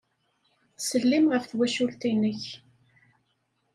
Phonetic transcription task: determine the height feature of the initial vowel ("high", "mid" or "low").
mid